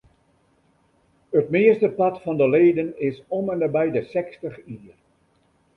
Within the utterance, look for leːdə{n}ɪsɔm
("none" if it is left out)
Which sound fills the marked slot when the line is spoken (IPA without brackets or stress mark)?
n